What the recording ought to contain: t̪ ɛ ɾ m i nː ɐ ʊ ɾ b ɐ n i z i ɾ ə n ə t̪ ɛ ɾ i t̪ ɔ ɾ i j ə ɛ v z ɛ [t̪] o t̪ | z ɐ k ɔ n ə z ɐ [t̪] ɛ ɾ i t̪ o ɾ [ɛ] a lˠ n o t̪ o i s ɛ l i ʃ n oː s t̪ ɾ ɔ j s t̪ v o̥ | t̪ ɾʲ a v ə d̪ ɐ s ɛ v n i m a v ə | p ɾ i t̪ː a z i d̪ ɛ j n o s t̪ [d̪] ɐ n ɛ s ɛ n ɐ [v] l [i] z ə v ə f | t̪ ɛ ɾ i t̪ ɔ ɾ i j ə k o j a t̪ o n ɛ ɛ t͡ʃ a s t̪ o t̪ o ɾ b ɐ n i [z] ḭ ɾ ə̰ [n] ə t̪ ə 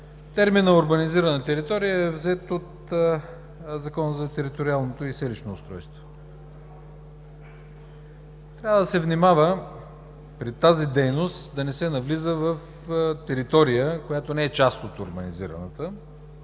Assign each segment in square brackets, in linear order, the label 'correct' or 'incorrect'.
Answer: correct, correct, incorrect, correct, correct, correct, correct, correct

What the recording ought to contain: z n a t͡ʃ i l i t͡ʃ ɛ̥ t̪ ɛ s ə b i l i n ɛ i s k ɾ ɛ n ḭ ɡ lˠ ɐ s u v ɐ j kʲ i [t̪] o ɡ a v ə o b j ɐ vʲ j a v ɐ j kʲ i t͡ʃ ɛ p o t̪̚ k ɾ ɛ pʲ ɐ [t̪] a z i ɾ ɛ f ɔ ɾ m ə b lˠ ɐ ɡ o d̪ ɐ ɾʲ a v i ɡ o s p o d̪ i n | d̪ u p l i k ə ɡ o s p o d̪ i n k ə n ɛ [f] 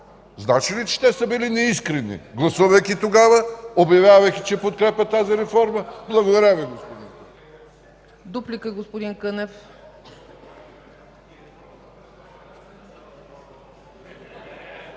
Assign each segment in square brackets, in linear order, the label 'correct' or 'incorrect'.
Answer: correct, correct, correct

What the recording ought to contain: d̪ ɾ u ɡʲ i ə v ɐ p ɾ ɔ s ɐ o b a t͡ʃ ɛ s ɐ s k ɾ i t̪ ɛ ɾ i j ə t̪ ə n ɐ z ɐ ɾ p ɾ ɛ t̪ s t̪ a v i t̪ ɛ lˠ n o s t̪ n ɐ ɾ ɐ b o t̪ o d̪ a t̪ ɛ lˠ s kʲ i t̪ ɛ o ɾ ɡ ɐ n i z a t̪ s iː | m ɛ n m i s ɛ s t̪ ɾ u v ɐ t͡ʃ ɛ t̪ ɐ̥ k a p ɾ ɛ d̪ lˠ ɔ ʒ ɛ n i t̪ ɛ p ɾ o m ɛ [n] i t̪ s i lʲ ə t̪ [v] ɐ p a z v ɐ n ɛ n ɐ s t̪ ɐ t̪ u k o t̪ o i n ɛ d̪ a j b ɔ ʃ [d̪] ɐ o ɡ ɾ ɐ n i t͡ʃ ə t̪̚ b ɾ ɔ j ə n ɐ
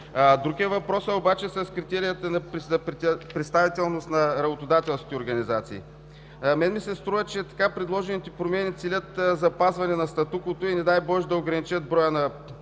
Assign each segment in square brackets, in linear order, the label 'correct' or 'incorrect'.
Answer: correct, incorrect, correct

